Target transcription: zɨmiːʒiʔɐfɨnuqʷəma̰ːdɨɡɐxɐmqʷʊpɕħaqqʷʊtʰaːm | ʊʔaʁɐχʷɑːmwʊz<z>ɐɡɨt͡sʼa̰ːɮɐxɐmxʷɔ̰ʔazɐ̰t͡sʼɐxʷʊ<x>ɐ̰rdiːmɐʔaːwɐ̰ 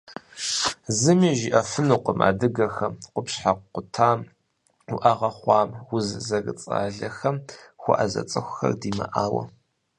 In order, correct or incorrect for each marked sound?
correct, correct

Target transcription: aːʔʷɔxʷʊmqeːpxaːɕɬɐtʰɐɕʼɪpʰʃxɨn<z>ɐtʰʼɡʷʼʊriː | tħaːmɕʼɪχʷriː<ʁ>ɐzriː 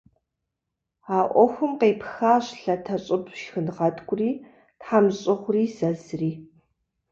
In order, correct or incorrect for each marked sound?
incorrect: ʁ, incorrect: z

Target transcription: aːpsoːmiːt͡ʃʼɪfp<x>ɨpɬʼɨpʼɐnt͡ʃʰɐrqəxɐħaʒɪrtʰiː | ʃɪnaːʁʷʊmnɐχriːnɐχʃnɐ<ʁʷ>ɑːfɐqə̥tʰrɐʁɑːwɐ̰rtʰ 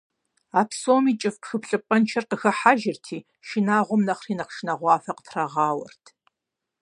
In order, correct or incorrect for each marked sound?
correct, correct

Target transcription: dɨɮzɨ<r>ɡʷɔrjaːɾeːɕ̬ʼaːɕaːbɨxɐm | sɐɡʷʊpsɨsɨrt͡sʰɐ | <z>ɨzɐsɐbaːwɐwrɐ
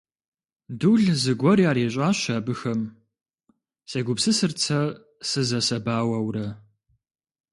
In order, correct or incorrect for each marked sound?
incorrect: none, incorrect: s

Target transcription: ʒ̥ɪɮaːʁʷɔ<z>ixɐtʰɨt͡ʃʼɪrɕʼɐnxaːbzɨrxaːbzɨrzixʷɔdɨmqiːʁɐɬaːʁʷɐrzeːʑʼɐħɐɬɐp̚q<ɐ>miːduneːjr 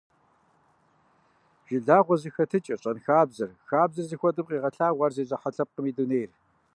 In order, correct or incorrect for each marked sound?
correct, incorrect: ə

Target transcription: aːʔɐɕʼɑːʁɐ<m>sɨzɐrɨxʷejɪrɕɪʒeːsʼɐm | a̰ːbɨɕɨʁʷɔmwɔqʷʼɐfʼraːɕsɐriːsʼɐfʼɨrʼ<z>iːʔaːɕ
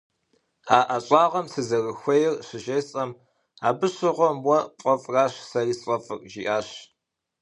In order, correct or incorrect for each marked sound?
correct, incorrect: ʒ

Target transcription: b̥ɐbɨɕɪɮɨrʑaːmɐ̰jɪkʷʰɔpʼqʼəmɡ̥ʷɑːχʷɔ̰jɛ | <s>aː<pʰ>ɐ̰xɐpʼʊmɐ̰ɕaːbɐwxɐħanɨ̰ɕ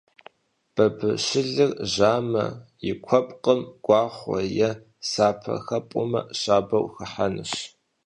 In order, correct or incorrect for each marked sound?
correct, correct

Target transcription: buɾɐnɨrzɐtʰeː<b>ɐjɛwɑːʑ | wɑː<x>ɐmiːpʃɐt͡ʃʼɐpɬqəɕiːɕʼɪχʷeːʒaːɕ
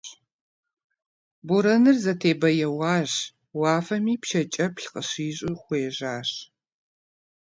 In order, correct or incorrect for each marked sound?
correct, incorrect: f

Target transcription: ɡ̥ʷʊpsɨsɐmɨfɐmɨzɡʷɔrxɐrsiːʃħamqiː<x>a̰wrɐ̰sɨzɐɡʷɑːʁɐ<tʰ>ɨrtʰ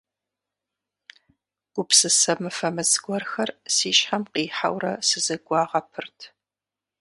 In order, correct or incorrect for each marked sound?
incorrect: ħ, incorrect: pʰ

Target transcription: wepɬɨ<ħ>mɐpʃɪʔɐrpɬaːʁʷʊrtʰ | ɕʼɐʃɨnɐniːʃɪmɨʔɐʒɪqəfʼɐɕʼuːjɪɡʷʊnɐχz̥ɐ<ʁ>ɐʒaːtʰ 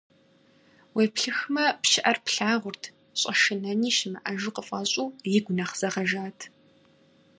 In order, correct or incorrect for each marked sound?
incorrect: x, correct

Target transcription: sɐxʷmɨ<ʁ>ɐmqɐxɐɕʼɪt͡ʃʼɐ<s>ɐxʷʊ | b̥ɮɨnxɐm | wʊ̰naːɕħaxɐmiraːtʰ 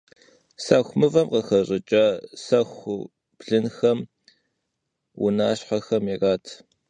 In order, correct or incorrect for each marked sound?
incorrect: v, correct

